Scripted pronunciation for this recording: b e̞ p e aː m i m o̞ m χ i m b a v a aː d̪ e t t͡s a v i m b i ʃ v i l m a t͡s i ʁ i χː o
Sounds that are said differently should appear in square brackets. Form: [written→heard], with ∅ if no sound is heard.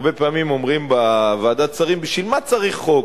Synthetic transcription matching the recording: b e̞ p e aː m i m o̞ m [χ→ʁ] i m b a v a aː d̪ [e→a] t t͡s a [v→ʁ] i m b i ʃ v i l m a t͡s [i→a] ʁ i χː o